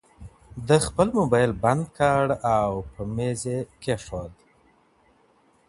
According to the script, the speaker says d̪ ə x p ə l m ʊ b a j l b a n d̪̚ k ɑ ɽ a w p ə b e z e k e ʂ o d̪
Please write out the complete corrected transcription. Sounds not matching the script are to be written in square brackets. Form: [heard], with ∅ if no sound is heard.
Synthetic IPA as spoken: d̪ ə x p ə l m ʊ b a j l b a n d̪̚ k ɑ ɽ a w p ə [m] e z e k e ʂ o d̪